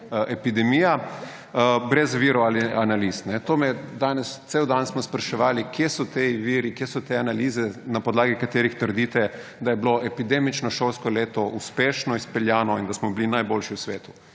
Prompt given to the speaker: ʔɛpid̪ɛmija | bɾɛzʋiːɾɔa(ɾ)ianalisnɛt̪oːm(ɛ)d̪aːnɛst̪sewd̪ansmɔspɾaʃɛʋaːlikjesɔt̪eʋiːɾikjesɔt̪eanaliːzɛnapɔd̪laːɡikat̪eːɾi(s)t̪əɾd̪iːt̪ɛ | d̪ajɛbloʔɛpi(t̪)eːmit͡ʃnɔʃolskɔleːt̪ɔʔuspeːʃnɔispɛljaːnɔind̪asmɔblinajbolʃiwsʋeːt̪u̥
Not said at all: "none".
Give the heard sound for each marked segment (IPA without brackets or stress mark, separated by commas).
l, ɛ, x, d̪